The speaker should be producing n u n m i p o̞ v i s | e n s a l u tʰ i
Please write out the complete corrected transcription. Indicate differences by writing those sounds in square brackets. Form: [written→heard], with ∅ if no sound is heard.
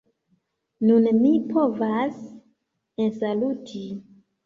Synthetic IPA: n u n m i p o̞ v [i→a] s | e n s a l u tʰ i